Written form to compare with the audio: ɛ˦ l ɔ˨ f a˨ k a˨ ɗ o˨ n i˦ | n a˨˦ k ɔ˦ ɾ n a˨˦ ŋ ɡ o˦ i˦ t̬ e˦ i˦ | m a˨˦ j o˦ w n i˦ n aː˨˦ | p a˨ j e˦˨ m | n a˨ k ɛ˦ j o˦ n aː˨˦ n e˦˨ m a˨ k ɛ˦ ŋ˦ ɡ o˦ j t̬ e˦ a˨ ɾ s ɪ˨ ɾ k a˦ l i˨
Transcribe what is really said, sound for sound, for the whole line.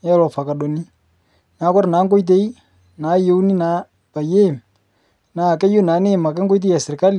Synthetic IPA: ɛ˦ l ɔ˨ f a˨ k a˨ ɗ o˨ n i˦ | n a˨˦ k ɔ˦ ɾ n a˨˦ ŋ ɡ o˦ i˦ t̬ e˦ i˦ | n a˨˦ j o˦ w n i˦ n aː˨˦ | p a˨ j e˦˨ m | n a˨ k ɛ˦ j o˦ n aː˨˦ n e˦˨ m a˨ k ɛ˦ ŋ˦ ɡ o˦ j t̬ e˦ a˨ s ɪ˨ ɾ k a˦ l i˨